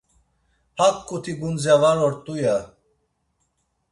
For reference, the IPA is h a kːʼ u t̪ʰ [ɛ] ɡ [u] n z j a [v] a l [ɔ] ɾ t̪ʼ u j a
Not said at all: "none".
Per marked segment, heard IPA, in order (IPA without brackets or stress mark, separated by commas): i, u, v, ɔ